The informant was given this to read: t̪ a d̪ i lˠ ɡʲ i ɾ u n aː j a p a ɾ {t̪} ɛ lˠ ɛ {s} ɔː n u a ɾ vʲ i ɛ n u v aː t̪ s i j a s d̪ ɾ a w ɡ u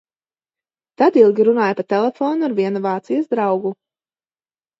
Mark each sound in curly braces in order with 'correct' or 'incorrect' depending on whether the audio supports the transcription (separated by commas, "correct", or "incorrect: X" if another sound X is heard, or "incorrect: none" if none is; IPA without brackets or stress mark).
correct, incorrect: f